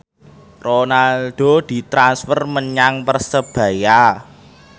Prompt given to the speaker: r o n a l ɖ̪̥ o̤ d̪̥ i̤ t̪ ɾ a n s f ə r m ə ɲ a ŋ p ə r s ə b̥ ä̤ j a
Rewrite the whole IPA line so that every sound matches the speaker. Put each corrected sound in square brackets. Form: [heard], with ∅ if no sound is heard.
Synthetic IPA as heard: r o n a l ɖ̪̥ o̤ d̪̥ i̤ t̪ ɾ a n s f ə r m ə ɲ a ŋ p ə r s ə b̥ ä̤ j a

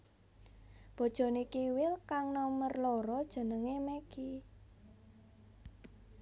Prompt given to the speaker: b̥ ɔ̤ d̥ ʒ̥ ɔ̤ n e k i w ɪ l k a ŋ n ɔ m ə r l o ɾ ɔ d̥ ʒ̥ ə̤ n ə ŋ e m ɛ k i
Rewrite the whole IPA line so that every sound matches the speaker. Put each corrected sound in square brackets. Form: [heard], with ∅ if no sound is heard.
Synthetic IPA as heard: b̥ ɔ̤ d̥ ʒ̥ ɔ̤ n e k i w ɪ l k a ŋ n ɔ m ə r l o ɾ ɔ d̥ ʒ̥ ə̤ n ə ŋ e m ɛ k i

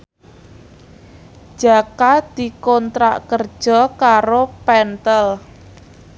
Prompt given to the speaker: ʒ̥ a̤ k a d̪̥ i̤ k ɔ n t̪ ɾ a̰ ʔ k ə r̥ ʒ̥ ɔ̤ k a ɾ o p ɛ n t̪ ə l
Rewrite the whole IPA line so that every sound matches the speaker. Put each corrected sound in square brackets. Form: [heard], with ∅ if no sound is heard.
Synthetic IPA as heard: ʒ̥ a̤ k a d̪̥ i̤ k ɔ n t̪ ɾ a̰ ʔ k ə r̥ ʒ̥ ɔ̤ k a ɾ o p ɛ n t̪ ə l

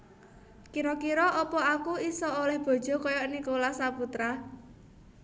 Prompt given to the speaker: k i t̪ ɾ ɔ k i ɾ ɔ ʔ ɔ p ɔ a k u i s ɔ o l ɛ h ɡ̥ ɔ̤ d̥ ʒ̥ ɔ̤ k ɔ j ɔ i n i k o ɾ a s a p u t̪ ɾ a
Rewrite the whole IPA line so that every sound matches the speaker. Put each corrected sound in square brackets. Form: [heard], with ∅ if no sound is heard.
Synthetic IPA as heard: k i [∅] ɾ ɔ k i ɾ ɔ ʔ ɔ p ɔ a k u i s ɔ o l ɛ h [b̥] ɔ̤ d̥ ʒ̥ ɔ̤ k ɔ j ɔ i n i k o [l] a s a p u t̪ ɾ a

